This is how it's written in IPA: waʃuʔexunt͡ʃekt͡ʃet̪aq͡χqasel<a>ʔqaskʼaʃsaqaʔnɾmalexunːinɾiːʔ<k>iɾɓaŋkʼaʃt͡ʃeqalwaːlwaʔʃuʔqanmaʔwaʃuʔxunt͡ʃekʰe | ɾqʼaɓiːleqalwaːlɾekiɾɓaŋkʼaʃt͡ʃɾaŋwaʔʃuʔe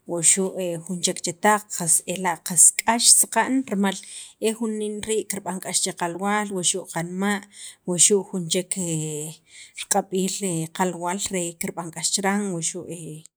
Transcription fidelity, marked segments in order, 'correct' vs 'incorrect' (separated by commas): correct, correct